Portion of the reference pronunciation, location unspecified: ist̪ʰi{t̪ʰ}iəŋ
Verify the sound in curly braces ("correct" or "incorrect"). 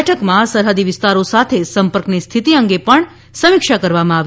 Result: incorrect